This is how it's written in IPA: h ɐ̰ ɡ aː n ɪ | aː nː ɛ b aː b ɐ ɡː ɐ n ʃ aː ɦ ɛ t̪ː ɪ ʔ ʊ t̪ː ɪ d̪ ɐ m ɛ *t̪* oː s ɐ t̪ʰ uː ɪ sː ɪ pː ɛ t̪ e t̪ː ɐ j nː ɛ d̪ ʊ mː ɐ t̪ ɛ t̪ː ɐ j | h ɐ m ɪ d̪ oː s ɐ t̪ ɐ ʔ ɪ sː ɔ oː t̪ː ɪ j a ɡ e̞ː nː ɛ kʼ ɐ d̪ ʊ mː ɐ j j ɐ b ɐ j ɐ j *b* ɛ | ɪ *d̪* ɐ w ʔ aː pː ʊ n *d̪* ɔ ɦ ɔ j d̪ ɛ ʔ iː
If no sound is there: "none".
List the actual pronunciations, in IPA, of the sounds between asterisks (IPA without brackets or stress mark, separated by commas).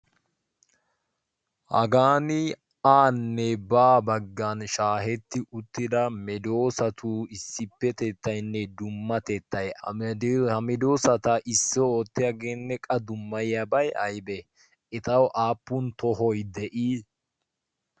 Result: d̪, b, t̪, t̪